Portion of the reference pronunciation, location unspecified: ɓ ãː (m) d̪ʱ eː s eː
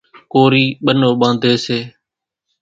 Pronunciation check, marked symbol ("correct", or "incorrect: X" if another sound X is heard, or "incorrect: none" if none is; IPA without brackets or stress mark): incorrect: n